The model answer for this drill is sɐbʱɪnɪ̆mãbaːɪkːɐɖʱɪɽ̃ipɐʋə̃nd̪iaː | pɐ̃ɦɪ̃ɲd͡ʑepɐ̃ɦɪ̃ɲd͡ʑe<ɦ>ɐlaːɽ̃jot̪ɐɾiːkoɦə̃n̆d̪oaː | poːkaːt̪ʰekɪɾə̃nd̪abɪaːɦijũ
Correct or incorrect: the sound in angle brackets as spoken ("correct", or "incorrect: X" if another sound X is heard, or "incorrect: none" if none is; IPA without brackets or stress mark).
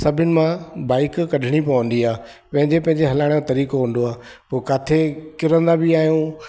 correct